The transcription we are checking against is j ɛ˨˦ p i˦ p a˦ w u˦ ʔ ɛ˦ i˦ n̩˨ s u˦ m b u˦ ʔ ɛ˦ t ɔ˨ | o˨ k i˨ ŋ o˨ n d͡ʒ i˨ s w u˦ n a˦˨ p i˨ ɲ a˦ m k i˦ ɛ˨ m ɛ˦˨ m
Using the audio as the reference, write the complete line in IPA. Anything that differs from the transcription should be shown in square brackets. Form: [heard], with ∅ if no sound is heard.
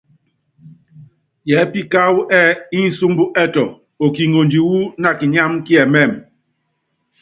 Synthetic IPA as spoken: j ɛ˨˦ p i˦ [k] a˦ w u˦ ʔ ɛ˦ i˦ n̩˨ s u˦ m b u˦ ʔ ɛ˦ t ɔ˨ | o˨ k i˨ ŋ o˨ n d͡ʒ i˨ [∅] w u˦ n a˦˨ [k] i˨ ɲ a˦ m k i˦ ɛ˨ m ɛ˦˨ m

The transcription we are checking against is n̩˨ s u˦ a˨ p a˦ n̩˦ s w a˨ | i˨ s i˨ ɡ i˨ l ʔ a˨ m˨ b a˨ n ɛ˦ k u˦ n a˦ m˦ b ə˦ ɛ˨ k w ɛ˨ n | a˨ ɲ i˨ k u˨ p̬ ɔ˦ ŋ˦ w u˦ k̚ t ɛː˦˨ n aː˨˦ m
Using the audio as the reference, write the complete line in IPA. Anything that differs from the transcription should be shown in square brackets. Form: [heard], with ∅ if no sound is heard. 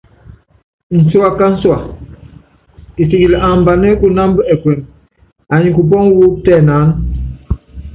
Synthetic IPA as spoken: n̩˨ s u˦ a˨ [k] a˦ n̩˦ s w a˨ | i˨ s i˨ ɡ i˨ l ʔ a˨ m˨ b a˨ n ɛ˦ k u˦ n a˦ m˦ b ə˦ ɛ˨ k w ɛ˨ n | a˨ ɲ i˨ k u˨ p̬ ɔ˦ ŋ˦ w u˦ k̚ t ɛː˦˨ n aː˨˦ [n]

